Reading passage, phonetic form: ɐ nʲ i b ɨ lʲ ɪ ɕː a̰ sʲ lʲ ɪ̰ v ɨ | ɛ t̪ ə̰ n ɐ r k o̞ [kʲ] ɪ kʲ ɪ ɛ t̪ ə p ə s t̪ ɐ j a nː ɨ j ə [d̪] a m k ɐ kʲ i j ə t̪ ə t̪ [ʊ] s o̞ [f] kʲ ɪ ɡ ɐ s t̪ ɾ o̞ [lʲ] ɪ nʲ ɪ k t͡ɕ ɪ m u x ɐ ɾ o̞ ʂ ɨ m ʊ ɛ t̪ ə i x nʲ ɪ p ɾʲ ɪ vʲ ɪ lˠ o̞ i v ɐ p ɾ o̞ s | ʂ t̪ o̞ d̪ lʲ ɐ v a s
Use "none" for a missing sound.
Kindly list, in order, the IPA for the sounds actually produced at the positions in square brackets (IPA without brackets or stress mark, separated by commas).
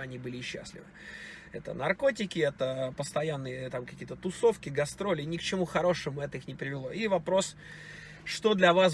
tʲ, t̪, ʊ, f, lʲ